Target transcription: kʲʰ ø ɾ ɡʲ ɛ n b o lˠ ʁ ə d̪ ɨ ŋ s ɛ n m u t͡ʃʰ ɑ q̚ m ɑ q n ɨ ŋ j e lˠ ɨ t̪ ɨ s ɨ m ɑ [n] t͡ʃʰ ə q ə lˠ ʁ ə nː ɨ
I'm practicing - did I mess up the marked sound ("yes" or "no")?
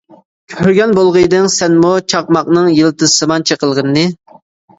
no